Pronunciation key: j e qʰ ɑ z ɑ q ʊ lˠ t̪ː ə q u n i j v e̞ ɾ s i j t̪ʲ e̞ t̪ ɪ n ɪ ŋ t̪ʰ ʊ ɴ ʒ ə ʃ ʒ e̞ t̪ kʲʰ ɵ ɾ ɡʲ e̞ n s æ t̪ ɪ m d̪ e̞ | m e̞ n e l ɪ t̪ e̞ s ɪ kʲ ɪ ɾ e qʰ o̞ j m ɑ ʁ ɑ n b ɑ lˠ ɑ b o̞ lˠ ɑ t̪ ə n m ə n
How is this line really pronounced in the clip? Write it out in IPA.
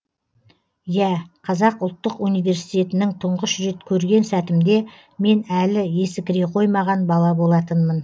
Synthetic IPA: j æ qʰ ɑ z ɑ q ʊ lˠ t̪ː ə q u n i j v e̞ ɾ s i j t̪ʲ e̞ t̪ ɪ n ɪ ŋ t̪ʰ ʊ ɴ ʁ ə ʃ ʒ e̞ t̪ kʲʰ ɵ ɾ ɡʲ e̞ n s æ t̪ ɪ m d̪ e̞ | m e̞ n æ l ɪ e̞ s ɪ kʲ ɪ ɾ e qʰ o̞ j m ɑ ʁ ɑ n b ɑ lˠ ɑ b o̞ lˠ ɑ t̪ ə n m ə n